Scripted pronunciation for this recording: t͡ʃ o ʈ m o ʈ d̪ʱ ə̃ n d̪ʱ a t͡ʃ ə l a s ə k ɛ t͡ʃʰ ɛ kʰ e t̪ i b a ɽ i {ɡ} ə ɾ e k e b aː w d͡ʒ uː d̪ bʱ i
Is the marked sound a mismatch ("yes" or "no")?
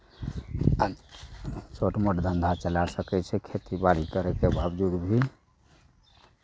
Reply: yes